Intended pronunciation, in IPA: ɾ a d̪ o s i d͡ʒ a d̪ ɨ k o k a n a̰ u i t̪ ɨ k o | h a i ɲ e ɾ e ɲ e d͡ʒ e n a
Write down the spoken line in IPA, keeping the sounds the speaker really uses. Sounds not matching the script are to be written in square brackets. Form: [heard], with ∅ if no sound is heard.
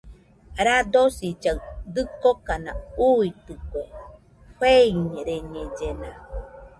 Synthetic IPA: ɾ a d̪ o s i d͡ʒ a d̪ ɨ k o k a n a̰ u i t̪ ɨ k o | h [e] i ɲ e ɾ e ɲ e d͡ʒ e n a